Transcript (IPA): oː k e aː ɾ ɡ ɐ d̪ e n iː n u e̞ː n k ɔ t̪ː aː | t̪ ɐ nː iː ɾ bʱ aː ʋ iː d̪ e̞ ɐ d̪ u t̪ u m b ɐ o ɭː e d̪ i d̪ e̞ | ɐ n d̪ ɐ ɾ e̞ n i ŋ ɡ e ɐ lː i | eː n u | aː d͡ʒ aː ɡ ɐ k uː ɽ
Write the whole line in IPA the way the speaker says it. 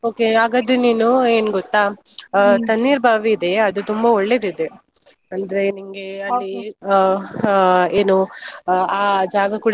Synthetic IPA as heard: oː k e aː ɡ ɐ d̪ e n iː n u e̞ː n ɡ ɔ t̪ː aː | t̪ ɐ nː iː ɾ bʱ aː ʋ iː d̪ e̞ ɐ d̪ u t̪ u m b ɐ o ɭː e d̪ i d̪ e̞ | ɐ n d̪ ɐ ɾ e̞ n i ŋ ɡ e ɐ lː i | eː n u | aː d͡ʒ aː ɡ ɐ k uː ɽ

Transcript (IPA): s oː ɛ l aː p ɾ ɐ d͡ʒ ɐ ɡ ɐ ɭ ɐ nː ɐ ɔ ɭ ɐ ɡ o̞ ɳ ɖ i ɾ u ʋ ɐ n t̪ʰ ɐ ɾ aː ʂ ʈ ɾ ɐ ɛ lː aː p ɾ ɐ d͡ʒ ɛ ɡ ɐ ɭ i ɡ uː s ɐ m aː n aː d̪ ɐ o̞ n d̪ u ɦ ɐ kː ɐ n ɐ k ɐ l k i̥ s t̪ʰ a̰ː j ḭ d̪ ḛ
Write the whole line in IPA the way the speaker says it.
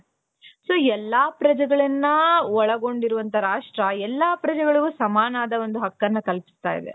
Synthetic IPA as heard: s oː ɛ lː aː p ɾ ɐ d͡ʒ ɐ ɡ ɐ ɭ ɐ nː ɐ ɔ ɭ ɐ ɡ o̞ ɳ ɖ i ɾ u ʋ ɐ n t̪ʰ ɐ ɾ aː ʂ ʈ ɾ ɐ ɛ lː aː p ɾ ɐ d͡ʒ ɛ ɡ ɐ ɭ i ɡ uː s ɐ m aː n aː d̪ ɐ o̞ n d̪ u ɦ ɐ kː ɐ nː ɐ k ɐ l p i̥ s t̪ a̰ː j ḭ d̪ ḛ

